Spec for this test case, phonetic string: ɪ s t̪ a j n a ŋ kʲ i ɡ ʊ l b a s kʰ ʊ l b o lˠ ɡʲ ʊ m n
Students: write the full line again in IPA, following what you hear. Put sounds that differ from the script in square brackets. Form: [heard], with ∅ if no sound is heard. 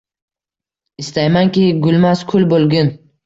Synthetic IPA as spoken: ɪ s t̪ a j [m] a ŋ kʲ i ɡ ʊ l [m] a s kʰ ʊ l b o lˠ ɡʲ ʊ [∅] n